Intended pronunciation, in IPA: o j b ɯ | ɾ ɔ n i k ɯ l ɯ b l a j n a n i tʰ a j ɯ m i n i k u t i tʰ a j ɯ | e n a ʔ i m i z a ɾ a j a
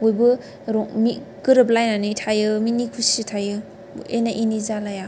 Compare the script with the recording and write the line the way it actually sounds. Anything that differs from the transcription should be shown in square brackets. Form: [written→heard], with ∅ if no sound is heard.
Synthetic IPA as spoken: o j b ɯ | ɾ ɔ [n→m] i k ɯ [l→ɾ] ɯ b l a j n a n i tʰ a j ɯ m i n i [k→kʰ] u [t→s] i tʰ a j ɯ | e n a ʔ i [m→n] i z a [ɾ→l] a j a